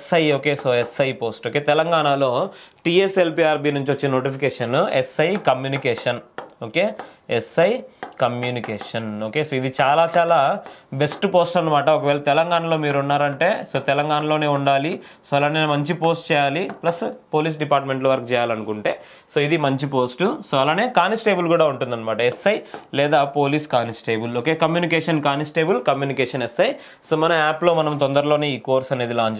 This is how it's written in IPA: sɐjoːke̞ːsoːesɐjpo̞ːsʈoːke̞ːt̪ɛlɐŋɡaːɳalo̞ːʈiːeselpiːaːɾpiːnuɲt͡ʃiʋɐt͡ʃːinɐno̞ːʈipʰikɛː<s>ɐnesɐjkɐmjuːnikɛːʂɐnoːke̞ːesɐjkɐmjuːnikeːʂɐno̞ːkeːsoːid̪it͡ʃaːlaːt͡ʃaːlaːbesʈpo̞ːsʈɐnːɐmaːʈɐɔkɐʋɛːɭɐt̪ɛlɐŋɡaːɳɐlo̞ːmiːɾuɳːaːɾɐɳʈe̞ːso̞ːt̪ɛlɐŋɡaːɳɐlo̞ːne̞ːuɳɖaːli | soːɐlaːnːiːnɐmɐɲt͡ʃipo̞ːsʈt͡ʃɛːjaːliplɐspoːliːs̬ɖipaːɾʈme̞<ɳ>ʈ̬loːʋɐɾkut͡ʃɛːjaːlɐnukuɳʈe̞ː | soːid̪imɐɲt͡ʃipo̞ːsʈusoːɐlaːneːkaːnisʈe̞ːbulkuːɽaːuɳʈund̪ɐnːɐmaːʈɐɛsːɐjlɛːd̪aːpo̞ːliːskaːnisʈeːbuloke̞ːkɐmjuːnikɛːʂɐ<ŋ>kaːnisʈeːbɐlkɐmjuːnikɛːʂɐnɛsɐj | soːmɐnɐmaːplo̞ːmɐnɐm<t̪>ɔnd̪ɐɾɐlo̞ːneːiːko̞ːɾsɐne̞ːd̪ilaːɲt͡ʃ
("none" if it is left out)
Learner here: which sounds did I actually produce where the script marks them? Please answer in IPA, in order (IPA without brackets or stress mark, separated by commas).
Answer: ʂ, ɳ, n, t̪